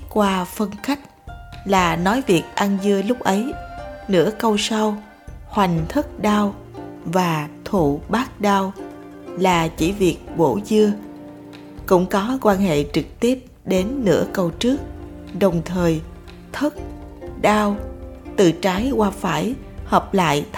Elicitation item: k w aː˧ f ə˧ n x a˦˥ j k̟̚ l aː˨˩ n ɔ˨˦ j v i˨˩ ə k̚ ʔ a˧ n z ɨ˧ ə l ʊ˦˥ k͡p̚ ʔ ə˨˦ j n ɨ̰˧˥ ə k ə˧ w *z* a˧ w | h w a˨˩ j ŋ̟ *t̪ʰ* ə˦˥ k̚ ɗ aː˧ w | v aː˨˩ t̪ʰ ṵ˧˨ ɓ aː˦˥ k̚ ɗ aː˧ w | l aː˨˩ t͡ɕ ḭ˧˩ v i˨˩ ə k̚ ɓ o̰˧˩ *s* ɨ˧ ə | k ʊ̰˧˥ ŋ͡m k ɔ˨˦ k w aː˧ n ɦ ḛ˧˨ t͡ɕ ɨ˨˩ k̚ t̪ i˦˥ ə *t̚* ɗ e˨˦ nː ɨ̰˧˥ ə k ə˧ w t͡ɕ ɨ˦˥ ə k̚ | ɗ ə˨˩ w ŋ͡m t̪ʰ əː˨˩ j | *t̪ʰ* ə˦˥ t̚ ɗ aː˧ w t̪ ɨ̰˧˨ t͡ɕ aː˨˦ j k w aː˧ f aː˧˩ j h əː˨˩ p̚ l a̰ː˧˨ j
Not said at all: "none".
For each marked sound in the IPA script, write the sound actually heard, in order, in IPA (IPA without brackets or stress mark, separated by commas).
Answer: s, t̪ʰ, z, p̚, t̪ʰ